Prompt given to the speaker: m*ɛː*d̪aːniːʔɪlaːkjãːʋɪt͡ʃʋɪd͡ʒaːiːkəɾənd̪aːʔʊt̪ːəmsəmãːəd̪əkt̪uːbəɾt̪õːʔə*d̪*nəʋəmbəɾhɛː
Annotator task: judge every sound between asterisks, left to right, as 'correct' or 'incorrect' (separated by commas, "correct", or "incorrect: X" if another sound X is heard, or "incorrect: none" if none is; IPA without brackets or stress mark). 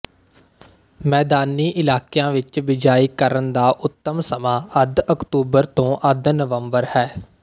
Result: correct, correct